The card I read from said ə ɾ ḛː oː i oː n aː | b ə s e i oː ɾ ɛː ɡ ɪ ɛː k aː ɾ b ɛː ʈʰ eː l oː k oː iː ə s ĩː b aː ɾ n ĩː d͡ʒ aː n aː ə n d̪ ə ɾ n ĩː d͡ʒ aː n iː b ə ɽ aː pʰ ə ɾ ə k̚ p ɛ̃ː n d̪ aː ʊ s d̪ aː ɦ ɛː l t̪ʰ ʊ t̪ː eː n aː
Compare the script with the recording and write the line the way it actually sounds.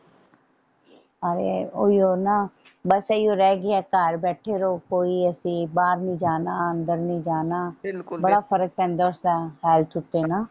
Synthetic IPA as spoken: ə ɾ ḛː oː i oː n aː | b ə s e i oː ɾ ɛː ɡ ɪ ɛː k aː ɾ b ɛː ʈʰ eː ɾ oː k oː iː ə s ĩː b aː ɾ n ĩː d͡ʒ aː n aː ə n d̪ ə ɾ n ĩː d͡ʒ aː n aː b ə ɽ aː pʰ ə ɾ ə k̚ p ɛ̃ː n d̪ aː ʊ s d̪ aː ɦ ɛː l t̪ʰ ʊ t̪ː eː n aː